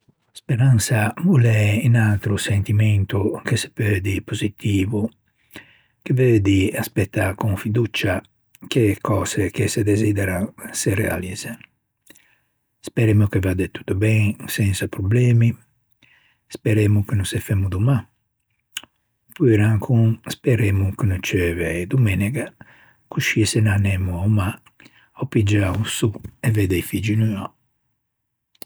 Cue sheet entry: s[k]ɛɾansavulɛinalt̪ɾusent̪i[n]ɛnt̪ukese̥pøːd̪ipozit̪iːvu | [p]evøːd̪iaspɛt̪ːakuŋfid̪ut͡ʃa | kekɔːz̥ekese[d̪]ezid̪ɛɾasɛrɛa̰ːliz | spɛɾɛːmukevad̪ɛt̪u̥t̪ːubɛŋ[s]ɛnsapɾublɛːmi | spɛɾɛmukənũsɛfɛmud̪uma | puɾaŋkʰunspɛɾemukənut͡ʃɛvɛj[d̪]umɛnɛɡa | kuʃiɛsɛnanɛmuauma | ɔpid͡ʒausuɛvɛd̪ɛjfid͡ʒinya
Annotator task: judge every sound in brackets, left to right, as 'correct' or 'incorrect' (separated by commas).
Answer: incorrect, incorrect, incorrect, correct, correct, correct